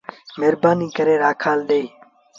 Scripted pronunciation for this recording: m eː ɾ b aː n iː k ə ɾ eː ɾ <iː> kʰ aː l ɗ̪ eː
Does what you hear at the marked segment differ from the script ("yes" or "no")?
yes